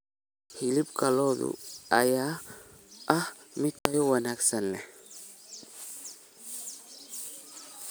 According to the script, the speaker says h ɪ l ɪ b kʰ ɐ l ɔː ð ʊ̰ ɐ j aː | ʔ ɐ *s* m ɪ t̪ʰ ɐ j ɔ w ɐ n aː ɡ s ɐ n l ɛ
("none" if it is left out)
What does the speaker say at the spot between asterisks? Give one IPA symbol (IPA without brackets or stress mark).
h